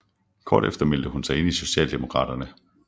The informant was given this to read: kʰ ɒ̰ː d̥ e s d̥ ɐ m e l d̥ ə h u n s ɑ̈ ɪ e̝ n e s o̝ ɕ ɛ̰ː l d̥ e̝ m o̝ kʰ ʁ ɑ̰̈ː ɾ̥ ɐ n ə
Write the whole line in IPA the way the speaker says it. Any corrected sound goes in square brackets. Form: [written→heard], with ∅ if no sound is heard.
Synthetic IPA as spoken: kʰ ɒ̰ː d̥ e [s→f] d̥ ɐ m e l d̥ ə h u n s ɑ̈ ɪ e̝ n [e→i] s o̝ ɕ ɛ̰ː l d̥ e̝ m o̝ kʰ ʁ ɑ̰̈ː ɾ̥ ɐ n ə